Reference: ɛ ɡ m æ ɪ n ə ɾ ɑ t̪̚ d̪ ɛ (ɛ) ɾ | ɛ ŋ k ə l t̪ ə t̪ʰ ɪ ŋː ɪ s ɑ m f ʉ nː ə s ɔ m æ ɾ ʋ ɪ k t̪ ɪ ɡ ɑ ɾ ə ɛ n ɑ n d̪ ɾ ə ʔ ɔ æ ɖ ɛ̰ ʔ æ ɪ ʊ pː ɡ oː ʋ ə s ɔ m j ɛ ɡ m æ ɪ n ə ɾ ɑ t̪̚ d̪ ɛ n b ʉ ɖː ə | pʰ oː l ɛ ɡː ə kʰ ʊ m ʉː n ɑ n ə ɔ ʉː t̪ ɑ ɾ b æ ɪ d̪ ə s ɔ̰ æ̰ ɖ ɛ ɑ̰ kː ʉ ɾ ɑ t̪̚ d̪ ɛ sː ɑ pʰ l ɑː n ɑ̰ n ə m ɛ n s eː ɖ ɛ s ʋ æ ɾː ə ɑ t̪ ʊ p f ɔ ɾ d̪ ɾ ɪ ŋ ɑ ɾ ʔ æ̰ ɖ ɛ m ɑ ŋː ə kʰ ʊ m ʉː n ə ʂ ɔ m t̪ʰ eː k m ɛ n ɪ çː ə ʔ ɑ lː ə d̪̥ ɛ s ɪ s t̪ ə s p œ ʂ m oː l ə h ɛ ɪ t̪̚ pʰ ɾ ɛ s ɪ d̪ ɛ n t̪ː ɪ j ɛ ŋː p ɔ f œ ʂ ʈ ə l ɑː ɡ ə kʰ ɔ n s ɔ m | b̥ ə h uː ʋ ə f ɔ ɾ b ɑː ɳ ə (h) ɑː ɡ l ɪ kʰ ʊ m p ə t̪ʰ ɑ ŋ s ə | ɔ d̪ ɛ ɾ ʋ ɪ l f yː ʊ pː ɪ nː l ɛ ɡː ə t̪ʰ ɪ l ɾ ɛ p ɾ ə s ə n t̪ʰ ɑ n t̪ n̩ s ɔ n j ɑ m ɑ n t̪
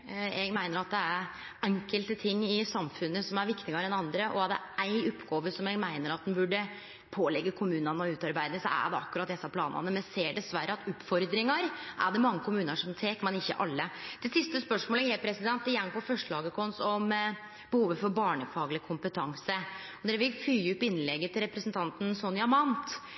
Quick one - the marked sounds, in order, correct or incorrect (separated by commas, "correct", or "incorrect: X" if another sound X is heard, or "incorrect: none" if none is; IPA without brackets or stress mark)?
incorrect: æ, incorrect: f